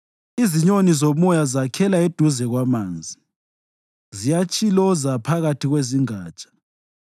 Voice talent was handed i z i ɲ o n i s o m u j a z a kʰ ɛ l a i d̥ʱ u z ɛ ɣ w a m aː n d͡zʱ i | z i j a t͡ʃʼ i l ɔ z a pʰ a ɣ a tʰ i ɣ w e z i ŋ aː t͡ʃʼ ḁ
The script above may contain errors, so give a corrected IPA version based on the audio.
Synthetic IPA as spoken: i z i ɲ o n i z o m ɔ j a z a kʰ ɛ l a e d̥ʱ u z ɛ ɣ w a m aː n d͡zʱ i | z i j a t͡ʃʼ i l ɔ z a pʰ a ɣ a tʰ i ɣ w e z i ŋ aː t͡ʃʼ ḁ